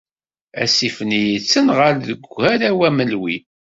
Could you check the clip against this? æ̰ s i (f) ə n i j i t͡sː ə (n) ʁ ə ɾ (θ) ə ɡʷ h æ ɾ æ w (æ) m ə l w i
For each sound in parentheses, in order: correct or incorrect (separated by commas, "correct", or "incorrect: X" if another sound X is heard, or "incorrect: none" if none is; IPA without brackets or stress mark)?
correct, correct, incorrect: ð, correct